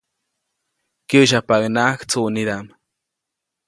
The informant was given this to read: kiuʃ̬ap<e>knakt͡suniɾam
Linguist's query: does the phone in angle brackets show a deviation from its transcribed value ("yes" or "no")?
yes